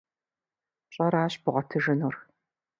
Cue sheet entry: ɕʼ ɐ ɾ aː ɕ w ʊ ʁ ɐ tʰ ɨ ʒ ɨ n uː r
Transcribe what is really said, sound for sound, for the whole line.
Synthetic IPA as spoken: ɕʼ ɐ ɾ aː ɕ b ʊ ʁ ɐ tʰ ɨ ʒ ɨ n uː r